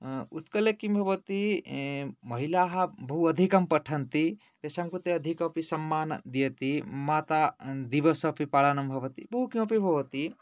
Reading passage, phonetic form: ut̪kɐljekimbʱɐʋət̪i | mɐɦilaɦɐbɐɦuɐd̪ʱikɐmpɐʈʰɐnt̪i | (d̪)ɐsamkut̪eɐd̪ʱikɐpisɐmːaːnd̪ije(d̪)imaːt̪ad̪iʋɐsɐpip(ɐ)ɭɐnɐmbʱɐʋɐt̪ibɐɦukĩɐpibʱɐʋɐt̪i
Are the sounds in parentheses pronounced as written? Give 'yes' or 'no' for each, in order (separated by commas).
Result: no, no, no